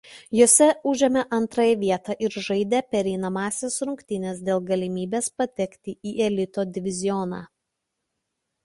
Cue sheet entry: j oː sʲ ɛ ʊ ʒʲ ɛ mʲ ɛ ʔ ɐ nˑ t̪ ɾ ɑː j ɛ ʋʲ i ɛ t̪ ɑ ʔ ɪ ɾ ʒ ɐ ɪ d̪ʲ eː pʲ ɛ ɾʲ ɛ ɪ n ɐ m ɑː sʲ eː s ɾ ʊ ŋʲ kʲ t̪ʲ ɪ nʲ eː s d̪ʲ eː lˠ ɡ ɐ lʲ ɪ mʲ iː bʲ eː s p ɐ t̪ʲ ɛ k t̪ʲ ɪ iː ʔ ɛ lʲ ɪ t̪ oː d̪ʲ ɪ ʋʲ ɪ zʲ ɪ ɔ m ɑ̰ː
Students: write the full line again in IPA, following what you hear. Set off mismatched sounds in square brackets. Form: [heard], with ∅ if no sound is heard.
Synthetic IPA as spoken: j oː sʲ ɛ ʊ ʒʲ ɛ mʲ ɛ ʔ ɐ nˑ t̪ ɾ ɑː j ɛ ʋʲ i ɛ t̪ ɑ ʔ ɪ ɾ ʒ ɐ ɪ d̪ʲ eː pʲ ɛ ɾʲ ɛ ɪ n ɐ m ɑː sʲ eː s ɾ ʊ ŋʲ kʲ t̪ʲ ɪ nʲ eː s d̪ʲ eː lˠ ɡ ɐ lʲ ɪ mʲ iː bʲ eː s p ɐ t̪ʲ ɛ k t̪ʲ ɪ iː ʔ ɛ lʲ ɪ t̪ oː d̪ʲ ɪ ʋʲ ɪ zʲ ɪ ɔ [n] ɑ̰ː